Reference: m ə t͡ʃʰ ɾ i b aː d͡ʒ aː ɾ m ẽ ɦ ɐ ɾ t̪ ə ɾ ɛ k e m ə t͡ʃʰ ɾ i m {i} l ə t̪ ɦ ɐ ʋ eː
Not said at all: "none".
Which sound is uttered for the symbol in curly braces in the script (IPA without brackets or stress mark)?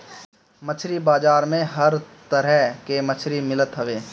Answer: ɪ